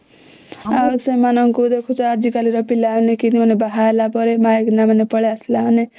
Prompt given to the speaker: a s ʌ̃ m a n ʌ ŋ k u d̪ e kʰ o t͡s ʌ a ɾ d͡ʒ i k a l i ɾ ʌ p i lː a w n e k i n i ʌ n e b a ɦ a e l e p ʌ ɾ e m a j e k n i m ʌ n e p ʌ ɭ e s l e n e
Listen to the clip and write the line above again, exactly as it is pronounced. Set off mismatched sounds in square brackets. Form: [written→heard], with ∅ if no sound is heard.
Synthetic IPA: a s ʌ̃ m a n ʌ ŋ k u d̪ e kʰ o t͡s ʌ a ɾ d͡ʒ i k a l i ɾ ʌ p i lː a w n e k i n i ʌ n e b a ɦ a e l [e→a] p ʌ ɾ e m a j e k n [i→a] m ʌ n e p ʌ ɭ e s l [e→a] n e